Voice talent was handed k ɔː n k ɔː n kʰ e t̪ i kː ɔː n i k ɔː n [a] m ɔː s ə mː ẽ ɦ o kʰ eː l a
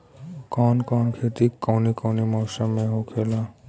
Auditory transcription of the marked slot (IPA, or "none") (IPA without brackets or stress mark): i